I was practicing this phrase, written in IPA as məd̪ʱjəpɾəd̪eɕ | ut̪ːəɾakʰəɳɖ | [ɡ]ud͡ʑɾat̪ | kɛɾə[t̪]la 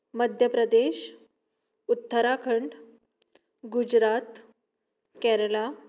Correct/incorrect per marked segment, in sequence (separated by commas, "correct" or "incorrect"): correct, incorrect